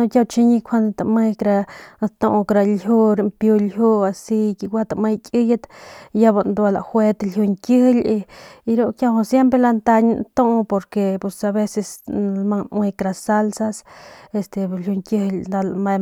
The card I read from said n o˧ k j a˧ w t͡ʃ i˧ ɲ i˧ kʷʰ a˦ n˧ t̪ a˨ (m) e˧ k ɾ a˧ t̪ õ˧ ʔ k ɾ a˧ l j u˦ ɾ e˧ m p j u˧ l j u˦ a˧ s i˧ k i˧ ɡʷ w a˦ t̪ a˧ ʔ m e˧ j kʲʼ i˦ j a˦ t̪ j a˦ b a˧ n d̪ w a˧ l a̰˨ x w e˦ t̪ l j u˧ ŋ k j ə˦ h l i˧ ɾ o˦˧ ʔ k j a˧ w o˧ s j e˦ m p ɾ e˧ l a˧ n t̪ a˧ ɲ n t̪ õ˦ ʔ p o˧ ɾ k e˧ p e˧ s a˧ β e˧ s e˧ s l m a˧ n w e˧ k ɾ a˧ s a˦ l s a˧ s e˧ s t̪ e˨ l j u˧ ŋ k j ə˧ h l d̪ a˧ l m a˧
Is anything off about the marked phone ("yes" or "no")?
no